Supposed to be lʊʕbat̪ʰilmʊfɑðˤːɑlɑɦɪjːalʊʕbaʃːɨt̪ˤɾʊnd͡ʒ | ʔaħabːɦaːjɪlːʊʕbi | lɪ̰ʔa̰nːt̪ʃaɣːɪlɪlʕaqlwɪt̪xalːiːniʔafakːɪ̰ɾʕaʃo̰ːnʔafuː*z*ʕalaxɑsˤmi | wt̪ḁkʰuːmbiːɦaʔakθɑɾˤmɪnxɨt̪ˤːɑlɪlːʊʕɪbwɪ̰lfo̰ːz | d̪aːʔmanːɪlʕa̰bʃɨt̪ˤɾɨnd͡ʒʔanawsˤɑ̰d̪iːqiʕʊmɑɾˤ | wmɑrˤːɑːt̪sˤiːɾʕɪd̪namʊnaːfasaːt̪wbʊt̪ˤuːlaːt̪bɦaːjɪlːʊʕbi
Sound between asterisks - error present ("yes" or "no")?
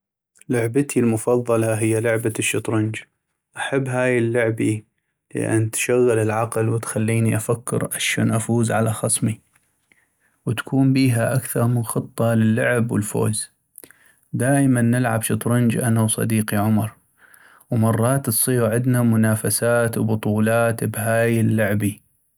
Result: no